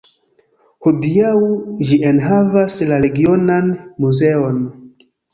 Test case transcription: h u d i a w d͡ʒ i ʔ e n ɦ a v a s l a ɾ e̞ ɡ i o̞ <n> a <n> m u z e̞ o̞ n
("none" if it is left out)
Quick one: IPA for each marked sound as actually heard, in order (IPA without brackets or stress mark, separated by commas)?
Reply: n, n